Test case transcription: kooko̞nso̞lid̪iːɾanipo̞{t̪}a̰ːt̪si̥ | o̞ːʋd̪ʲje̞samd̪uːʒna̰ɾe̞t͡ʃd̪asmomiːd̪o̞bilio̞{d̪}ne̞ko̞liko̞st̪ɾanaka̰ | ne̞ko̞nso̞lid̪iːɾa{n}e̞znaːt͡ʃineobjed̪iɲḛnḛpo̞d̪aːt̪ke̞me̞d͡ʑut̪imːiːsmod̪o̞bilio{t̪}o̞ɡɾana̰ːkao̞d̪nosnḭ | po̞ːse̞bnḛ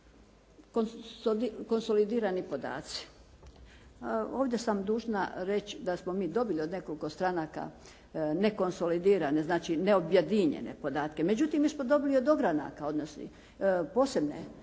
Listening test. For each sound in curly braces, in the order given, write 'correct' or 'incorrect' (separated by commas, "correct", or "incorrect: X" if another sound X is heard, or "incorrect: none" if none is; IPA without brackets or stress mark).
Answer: incorrect: d̪, correct, correct, incorrect: d̪